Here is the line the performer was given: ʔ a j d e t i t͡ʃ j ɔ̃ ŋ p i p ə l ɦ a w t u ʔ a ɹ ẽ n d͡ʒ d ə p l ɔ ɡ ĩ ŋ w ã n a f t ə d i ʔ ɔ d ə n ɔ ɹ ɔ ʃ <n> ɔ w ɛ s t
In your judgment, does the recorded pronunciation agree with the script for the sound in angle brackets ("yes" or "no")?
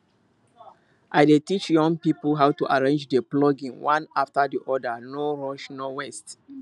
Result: yes